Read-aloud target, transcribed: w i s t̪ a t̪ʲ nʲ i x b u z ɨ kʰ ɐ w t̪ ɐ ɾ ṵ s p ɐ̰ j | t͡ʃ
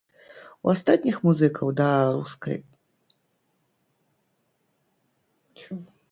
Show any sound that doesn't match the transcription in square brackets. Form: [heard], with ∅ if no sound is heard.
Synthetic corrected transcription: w [a] s t̪ a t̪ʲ nʲ i x [m] u z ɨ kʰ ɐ w [d̪] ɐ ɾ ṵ s [k] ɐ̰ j | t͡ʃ